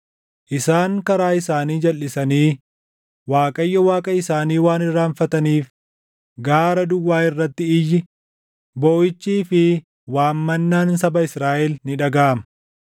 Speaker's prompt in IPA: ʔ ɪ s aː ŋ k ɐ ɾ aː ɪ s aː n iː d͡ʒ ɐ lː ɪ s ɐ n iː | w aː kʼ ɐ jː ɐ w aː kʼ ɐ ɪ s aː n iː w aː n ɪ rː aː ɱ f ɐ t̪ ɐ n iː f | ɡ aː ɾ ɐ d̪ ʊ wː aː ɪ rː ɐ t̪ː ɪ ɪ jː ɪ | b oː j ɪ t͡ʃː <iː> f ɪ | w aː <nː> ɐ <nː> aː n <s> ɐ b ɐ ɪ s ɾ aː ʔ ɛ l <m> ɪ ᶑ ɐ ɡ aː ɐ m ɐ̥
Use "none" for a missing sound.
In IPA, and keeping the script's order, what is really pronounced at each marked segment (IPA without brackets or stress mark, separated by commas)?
iː, mː, nː, s, n